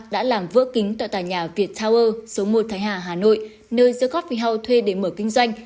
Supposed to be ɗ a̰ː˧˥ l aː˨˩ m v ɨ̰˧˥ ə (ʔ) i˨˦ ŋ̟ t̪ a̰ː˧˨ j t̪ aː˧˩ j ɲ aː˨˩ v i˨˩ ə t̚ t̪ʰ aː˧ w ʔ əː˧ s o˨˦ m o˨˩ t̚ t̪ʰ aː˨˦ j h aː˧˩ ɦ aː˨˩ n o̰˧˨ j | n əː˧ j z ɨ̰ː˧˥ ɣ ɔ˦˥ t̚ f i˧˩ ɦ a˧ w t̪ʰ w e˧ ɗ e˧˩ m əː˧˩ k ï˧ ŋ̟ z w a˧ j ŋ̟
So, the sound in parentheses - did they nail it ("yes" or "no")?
no